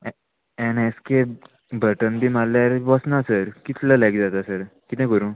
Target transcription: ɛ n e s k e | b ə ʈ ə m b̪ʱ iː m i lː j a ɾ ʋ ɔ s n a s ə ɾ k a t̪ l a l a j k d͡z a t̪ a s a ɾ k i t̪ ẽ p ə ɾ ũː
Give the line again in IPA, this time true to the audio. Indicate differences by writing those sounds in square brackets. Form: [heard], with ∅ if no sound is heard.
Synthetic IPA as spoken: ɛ n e s k e | b ə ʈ ə [n] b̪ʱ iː m [a] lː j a ɾ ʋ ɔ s n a s ə ɾ k [i] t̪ l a l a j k d͡z a t̪ a s [ə] ɾ k i t̪ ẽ [k] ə ɾ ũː